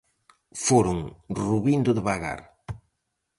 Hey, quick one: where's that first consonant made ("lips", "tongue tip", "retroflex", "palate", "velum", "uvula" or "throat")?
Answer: lips